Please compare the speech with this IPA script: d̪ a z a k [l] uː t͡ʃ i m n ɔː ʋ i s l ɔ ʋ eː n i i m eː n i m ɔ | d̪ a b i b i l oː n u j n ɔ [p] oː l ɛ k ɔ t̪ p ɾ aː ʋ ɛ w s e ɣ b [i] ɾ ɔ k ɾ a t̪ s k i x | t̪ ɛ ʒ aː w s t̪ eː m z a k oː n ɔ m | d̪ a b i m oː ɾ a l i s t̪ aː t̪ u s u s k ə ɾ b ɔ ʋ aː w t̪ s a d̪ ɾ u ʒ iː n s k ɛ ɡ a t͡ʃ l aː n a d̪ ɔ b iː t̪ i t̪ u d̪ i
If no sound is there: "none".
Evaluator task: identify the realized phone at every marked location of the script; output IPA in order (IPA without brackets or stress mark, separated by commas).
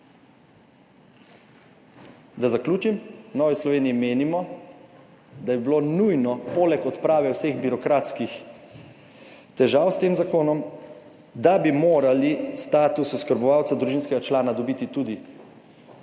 l, p, i